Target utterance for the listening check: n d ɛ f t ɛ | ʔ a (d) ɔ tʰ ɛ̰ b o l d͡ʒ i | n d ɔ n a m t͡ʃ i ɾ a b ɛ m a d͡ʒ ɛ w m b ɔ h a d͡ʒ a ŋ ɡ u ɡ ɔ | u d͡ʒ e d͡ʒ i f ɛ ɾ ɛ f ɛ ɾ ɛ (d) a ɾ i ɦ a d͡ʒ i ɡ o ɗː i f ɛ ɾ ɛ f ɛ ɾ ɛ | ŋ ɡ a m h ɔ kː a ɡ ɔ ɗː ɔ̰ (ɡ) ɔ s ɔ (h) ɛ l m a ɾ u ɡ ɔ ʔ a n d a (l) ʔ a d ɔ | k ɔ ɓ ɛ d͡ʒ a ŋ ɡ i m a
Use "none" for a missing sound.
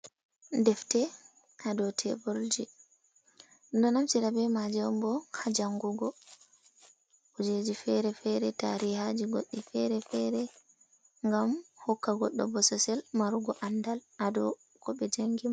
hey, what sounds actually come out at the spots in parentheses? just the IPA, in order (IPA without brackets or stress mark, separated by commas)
d, t, b, s, l